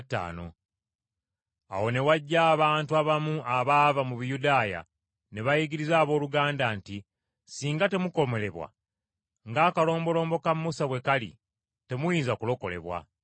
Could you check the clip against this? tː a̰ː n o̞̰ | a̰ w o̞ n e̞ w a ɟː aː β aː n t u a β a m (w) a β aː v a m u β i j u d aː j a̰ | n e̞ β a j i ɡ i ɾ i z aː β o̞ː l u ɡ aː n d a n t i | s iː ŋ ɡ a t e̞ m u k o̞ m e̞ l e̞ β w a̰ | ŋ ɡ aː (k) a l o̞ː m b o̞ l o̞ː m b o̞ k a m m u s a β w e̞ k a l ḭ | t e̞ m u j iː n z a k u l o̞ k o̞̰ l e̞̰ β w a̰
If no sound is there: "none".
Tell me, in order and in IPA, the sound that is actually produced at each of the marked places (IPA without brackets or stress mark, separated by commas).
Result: u, k